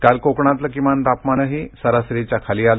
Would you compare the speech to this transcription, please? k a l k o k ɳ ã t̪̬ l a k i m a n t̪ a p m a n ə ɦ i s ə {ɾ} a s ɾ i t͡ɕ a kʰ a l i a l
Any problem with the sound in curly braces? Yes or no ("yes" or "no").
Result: no